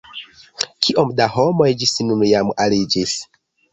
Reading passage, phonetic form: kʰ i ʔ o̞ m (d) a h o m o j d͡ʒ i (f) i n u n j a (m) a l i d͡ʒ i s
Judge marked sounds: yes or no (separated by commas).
yes, no, yes